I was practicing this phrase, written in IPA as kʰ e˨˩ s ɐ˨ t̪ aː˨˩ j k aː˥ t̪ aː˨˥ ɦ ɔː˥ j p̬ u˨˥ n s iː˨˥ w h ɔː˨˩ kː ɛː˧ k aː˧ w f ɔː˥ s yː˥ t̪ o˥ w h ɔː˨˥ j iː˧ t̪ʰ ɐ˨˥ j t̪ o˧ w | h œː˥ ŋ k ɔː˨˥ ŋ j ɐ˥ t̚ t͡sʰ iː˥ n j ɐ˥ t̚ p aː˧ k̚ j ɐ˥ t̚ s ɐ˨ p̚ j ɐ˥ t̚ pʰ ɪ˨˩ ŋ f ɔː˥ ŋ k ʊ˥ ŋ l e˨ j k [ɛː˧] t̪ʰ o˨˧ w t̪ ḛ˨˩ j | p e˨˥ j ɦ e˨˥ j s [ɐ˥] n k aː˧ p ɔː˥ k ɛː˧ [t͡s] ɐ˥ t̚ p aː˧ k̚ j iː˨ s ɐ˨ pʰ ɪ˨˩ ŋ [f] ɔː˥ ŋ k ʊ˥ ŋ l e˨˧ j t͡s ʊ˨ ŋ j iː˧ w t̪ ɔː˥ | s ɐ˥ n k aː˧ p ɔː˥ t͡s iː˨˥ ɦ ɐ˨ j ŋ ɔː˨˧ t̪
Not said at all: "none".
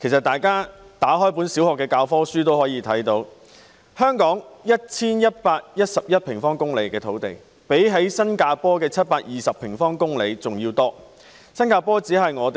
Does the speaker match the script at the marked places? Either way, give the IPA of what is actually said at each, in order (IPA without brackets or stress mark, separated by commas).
ɛː˧, ɐ˥, t͡sʰ, f